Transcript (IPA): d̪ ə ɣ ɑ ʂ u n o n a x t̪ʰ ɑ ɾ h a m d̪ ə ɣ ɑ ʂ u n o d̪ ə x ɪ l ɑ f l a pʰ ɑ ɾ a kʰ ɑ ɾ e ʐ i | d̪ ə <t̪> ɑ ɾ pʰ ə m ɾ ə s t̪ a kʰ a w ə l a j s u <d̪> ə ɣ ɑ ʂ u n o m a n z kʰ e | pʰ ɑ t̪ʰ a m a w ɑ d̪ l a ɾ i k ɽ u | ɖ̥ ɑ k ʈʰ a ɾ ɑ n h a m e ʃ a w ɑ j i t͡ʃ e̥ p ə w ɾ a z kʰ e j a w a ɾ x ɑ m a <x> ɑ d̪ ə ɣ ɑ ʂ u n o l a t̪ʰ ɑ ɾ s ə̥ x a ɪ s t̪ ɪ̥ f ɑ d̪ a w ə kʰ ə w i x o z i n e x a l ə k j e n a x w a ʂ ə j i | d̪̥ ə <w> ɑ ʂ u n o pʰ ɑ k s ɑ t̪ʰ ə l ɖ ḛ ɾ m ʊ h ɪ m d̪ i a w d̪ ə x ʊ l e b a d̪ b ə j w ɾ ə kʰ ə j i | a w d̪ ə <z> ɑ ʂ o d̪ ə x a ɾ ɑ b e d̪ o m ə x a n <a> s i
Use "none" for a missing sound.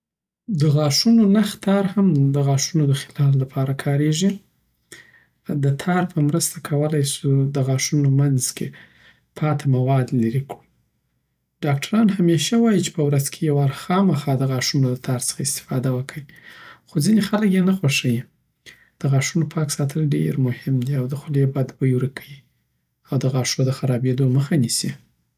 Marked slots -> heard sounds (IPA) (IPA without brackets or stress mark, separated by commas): t̪ʰ, d̪, x, ɣ, ɣ, i